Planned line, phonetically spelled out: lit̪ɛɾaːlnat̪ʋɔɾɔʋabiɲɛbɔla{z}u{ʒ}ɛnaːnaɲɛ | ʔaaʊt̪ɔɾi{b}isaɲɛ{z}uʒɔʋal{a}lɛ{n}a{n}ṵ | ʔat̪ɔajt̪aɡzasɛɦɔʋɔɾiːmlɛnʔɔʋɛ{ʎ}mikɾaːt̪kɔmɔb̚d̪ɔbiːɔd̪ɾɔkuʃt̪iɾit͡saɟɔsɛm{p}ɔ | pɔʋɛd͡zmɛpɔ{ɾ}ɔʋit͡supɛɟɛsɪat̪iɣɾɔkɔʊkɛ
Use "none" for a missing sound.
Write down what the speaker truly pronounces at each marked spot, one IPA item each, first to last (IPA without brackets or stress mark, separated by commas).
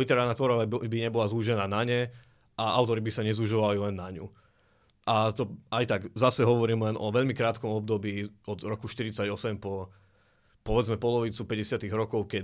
z, ʒ, b, z, i, nː, ɲ, ʎ, p, l